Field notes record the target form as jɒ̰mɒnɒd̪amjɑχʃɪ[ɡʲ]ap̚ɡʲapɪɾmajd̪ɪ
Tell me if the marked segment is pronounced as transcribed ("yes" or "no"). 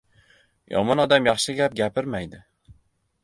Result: yes